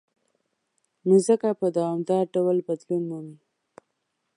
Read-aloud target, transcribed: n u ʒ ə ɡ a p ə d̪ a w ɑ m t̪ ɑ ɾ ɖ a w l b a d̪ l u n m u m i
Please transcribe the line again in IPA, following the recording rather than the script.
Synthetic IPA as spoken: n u z ə k a p ə d̪ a w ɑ m d̪ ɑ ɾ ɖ a w l b a d̪ l u n m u m i